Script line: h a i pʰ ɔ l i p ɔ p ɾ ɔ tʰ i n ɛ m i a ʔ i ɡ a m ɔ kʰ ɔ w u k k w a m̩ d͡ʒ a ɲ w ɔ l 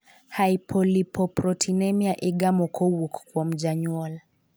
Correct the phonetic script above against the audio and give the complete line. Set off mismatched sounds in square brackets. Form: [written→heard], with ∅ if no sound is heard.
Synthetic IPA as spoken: h a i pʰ ɔ l i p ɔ p ɾ ɔ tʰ i n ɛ m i a ʔ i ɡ a m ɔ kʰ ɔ w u k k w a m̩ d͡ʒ a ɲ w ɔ l